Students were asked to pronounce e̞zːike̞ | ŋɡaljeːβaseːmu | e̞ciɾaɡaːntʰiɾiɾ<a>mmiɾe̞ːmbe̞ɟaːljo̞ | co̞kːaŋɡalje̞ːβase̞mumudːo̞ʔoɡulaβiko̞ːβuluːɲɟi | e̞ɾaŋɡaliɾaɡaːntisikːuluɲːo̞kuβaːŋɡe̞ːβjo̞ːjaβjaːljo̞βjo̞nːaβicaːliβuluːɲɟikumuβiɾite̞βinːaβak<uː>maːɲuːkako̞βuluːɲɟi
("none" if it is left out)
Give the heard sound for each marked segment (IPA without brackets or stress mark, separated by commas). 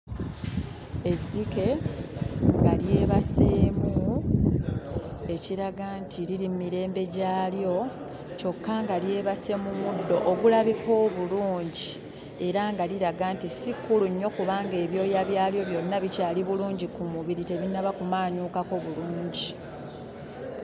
i, u